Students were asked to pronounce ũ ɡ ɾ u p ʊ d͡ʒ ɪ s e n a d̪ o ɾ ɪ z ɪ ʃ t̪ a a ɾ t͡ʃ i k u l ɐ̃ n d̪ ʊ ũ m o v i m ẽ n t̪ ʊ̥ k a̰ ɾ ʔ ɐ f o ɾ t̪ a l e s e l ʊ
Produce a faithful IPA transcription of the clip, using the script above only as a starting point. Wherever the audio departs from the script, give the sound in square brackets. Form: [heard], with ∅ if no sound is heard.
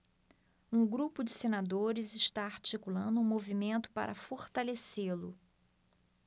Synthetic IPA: ũ ɡ ɾ u p ʊ d͡ʒ ɪ s e n a d̪ o ɾ ɪ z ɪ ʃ t̪ a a ɾ t͡ʃ i k u l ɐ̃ n d̪ ʊ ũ m o v i m ẽ n t̪ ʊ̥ [p] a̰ ɾ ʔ ɐ f o ɾ t̪ a l e s e l ʊ